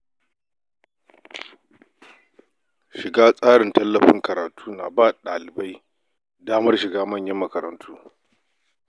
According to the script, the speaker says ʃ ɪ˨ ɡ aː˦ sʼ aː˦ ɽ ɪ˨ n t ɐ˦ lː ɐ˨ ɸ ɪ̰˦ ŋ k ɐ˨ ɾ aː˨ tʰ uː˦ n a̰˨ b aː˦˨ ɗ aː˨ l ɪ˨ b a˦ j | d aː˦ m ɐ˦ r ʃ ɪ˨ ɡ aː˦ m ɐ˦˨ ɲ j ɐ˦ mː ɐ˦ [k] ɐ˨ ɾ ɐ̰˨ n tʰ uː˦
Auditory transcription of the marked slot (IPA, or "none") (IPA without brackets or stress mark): k